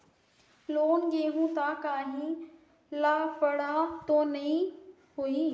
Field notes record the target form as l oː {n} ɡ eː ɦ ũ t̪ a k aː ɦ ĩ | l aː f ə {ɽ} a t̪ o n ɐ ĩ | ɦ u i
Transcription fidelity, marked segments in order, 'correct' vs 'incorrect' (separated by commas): correct, correct